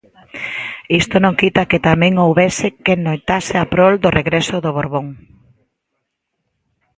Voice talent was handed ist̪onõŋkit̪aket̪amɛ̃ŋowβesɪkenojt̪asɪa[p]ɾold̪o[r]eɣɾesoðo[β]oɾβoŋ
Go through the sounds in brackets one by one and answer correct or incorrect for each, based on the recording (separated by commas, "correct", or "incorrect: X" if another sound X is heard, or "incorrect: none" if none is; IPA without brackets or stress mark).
correct, correct, correct